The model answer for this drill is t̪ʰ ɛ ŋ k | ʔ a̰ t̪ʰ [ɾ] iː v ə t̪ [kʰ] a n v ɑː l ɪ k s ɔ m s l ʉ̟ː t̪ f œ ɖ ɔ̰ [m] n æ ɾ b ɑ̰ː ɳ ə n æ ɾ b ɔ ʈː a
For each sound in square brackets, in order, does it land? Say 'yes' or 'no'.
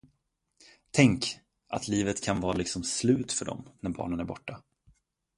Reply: no, yes, yes

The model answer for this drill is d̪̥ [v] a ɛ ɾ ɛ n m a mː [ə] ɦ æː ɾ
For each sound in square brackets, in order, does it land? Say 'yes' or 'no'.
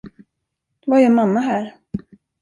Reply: yes, no

